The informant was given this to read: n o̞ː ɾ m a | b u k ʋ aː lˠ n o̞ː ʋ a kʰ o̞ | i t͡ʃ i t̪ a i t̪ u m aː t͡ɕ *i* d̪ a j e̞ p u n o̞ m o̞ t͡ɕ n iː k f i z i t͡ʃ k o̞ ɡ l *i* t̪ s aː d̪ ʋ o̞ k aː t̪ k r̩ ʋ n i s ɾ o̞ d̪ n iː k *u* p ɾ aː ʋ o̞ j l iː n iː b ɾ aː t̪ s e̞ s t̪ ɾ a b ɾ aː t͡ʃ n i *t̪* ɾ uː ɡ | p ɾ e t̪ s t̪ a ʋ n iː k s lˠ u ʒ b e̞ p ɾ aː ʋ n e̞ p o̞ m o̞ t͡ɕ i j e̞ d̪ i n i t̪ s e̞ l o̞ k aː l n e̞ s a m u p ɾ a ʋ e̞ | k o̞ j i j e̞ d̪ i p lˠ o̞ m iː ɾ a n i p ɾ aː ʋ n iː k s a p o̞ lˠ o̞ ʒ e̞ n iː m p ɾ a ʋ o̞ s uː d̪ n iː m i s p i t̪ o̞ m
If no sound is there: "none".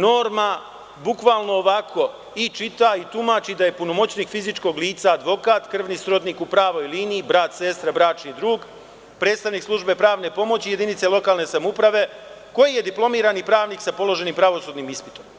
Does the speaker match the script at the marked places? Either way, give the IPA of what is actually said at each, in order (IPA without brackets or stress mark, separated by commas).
i, iː, u, d̪